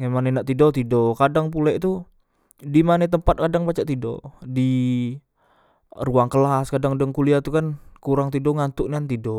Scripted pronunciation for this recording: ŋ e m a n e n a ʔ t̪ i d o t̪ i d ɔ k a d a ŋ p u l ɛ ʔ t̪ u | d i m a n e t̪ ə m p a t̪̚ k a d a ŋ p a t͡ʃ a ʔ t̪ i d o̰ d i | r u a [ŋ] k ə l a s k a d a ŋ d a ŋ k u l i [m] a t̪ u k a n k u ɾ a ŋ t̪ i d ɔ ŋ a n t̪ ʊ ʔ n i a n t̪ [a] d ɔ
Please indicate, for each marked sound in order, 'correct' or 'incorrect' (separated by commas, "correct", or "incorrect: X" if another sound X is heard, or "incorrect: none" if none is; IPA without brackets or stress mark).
correct, incorrect: none, incorrect: i